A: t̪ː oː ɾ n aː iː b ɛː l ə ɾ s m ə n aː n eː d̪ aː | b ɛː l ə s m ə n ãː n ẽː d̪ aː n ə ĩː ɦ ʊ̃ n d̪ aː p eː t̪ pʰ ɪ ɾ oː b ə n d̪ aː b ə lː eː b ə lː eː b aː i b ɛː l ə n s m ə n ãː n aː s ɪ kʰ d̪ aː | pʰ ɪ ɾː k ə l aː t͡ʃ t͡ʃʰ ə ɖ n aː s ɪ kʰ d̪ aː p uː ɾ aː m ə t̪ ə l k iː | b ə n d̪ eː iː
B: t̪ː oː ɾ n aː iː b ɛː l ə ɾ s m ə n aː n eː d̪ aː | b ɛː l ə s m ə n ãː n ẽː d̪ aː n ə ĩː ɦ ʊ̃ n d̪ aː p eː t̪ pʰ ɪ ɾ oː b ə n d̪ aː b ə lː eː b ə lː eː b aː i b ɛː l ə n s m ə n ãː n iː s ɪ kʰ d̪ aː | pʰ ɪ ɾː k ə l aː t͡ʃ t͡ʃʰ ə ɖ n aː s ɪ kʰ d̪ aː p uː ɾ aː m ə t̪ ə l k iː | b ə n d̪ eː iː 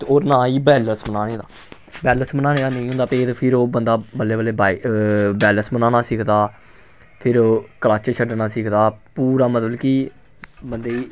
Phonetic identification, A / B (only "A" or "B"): A